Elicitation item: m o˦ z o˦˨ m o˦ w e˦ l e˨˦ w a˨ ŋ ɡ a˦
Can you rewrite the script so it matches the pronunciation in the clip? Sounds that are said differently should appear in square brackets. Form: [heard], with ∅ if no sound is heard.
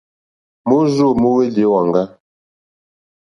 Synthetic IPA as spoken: m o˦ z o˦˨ m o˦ w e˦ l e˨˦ w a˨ ŋ ɡ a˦